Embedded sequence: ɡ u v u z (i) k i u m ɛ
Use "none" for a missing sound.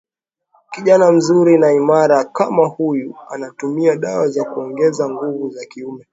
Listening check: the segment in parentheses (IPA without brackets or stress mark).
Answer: a